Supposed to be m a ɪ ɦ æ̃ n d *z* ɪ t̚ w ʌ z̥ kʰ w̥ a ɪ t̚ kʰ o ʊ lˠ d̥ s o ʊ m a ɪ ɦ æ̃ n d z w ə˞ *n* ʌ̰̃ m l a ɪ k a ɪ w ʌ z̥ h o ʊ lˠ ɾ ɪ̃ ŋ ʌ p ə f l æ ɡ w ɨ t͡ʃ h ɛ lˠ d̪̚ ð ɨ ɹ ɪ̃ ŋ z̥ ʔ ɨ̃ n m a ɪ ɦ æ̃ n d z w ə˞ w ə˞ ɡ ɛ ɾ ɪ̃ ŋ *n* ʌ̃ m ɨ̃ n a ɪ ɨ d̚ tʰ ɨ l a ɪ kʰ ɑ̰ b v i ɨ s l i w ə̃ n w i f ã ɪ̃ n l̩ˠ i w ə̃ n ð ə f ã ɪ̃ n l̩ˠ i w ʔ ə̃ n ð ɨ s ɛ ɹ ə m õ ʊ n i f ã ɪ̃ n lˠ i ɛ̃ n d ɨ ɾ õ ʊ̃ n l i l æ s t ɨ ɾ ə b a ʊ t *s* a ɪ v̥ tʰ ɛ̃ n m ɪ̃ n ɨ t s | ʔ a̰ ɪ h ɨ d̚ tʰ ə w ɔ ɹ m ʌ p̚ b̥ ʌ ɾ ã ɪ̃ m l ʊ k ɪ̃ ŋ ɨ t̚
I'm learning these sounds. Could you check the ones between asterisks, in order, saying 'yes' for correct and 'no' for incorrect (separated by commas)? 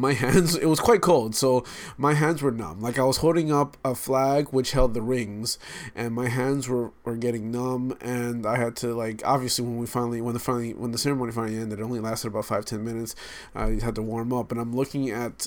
yes, yes, yes, no